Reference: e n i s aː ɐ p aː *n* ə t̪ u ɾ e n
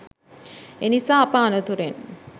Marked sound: correct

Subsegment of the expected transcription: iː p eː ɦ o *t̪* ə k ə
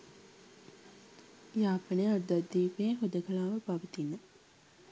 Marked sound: incorrect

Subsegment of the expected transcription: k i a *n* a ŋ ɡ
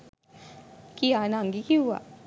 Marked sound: correct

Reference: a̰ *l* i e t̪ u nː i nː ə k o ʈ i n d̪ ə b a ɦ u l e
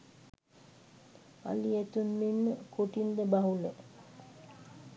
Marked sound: correct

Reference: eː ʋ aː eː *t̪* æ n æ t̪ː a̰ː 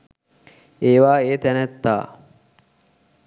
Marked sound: correct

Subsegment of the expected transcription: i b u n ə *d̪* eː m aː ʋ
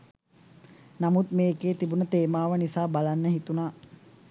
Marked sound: incorrect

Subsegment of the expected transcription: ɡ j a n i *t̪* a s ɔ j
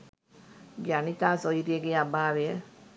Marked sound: correct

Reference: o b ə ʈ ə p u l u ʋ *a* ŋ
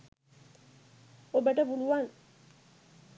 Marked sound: correct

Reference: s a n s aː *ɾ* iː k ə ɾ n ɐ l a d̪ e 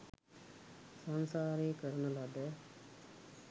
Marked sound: correct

